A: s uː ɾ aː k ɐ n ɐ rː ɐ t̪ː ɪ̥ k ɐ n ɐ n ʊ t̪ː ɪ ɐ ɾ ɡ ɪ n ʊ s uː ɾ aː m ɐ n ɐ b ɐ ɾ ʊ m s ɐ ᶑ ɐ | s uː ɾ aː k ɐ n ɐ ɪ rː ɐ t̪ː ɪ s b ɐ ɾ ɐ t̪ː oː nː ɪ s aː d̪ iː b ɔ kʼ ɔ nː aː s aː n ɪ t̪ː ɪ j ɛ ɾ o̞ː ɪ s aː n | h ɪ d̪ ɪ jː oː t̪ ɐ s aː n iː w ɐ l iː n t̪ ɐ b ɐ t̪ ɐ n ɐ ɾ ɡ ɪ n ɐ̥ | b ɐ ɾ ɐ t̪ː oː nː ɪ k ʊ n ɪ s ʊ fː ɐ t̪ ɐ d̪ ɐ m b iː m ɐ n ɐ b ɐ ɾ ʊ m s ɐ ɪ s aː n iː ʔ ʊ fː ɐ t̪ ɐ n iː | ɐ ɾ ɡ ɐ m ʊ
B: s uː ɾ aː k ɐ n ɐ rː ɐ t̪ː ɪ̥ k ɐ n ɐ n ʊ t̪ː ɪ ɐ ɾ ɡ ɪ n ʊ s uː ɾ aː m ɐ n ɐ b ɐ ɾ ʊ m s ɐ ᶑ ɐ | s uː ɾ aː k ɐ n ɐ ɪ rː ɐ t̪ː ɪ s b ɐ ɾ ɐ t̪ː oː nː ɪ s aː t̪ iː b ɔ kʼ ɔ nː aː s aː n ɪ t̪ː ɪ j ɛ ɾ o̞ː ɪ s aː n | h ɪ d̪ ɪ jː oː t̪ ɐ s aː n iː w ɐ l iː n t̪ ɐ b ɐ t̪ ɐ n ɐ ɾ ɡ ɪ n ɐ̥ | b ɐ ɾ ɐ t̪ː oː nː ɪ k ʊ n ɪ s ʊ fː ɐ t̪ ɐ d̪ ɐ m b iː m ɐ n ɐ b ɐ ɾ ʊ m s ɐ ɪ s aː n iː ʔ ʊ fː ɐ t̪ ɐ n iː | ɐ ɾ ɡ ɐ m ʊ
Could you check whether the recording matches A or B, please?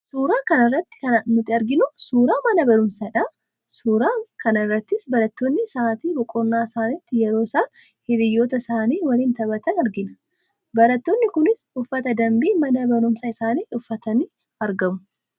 B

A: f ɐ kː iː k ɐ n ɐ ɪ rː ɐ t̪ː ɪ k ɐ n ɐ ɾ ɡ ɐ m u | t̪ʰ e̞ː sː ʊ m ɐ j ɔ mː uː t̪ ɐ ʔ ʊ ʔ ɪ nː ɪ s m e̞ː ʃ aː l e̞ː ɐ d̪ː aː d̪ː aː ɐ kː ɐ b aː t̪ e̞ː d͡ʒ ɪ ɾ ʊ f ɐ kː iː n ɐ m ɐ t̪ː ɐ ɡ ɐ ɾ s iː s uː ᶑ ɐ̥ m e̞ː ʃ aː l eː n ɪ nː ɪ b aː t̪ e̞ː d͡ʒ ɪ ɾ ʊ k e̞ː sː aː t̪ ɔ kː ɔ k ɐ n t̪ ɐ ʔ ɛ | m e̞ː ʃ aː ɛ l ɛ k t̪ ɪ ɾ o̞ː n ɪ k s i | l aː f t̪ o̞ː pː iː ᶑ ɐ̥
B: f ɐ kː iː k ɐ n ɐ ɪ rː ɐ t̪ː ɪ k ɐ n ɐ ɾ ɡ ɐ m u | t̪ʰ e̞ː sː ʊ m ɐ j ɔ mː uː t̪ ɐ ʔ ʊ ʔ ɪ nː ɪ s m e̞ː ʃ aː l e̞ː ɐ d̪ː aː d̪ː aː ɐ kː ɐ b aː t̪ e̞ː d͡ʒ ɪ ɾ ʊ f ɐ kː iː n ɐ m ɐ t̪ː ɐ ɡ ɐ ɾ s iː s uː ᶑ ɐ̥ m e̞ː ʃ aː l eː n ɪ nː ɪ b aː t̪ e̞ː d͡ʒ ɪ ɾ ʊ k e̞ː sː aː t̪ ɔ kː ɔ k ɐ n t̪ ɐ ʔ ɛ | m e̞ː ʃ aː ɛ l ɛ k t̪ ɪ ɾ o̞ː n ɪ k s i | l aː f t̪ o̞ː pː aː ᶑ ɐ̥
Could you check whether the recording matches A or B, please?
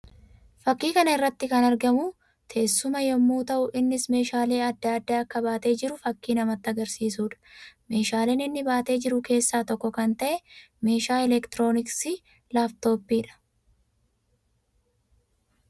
A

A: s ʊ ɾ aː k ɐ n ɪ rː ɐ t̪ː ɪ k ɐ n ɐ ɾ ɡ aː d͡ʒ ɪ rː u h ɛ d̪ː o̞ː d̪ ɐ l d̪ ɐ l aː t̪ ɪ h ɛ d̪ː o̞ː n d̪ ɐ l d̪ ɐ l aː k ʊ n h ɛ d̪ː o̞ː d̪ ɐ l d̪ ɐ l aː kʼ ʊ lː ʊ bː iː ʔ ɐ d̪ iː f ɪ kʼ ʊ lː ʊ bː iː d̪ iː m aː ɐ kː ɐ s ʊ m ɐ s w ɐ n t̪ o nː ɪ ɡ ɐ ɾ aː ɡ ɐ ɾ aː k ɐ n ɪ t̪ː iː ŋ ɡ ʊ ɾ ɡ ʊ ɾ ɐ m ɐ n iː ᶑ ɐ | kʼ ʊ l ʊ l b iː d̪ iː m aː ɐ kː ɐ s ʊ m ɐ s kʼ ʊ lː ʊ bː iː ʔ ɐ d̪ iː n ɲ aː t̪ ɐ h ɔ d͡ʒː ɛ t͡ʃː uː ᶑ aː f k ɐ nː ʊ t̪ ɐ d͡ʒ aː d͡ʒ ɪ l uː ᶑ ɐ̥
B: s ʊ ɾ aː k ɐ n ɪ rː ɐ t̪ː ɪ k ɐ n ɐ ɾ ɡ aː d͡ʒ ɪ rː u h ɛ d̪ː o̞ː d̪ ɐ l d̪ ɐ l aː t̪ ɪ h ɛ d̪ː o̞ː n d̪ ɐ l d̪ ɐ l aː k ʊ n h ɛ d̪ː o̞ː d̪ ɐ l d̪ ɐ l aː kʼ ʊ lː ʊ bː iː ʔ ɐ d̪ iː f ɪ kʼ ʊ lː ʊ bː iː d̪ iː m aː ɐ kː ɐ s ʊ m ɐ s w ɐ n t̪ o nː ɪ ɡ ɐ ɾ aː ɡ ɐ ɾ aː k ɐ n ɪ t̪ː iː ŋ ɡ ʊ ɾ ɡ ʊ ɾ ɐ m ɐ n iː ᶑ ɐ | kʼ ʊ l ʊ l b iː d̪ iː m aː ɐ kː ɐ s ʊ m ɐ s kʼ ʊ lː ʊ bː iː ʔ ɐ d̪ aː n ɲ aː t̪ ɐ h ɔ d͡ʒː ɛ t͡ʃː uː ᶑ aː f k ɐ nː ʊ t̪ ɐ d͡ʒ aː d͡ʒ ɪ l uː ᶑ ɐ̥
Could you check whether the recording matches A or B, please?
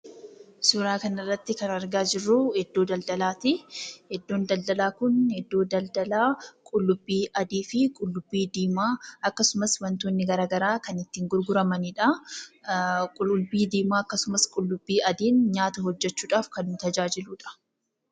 A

